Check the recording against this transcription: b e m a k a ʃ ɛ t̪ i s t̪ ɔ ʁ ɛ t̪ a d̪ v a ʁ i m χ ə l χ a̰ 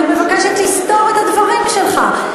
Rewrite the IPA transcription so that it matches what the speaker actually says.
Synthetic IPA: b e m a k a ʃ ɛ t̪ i s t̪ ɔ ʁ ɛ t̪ a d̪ v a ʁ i m ʃ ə l χ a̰